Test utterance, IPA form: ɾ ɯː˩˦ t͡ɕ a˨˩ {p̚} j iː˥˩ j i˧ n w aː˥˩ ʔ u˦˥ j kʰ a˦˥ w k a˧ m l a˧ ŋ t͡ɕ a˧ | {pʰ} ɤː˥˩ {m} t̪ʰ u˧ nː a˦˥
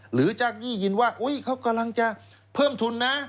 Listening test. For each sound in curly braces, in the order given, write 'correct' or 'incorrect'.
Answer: incorrect: k̚, correct, correct

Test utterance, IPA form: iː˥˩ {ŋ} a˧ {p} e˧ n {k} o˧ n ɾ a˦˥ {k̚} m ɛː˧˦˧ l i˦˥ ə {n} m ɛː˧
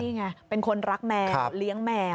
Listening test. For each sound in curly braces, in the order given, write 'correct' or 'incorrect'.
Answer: correct, correct, incorrect: kʰ, correct, incorrect: ŋ

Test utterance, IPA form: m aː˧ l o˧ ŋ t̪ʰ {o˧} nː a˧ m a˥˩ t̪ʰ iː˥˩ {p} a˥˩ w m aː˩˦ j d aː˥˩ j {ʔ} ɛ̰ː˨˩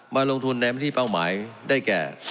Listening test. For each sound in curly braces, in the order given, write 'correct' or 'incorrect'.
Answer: incorrect: u˧, correct, incorrect: k

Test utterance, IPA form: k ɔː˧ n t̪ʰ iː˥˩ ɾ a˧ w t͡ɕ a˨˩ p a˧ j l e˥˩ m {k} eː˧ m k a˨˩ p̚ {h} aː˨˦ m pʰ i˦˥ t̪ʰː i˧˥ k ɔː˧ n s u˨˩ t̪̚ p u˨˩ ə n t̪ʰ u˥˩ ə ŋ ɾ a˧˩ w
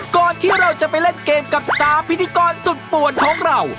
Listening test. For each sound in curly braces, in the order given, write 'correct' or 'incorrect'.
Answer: correct, incorrect: s

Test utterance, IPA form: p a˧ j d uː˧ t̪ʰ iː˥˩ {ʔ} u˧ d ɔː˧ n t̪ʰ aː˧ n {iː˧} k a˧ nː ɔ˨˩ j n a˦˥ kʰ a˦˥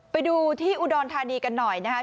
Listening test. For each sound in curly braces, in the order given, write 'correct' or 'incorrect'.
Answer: correct, correct

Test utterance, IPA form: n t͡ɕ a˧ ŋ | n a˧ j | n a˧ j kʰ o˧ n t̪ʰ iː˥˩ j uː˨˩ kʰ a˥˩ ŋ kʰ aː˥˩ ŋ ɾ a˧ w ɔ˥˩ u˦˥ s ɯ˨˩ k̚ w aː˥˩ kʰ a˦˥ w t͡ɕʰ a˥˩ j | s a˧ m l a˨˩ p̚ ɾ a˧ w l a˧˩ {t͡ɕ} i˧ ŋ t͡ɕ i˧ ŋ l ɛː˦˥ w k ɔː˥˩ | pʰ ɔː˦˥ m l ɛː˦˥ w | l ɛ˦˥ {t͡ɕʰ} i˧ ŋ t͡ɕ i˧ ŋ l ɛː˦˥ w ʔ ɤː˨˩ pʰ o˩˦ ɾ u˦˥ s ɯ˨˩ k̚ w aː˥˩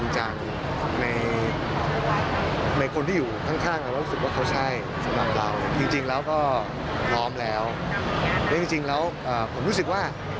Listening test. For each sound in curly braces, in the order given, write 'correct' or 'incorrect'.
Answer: correct, incorrect: t͡ɕ

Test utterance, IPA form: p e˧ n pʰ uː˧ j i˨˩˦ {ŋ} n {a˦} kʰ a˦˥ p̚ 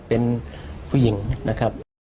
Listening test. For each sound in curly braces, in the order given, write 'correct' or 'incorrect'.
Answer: correct, correct

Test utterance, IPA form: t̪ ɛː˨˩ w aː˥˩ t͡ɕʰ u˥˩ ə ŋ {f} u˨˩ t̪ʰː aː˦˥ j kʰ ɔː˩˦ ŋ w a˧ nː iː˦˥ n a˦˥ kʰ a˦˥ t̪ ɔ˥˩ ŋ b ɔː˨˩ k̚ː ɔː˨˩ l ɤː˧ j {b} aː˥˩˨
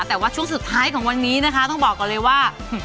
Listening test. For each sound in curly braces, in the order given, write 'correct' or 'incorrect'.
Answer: incorrect: s, incorrect: w

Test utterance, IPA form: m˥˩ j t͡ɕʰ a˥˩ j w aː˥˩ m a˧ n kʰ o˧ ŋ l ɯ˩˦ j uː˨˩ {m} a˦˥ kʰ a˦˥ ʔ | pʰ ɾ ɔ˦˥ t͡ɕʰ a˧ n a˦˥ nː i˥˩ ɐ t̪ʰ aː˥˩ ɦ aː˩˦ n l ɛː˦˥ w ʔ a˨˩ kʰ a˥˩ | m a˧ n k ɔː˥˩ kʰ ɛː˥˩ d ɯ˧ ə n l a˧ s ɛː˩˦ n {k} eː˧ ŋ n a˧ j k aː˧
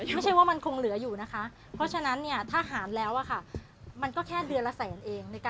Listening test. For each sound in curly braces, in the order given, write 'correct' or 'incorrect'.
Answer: incorrect: n, incorrect: ʔ

